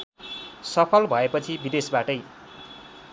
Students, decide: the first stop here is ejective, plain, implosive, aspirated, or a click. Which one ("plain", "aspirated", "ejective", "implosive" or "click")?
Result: aspirated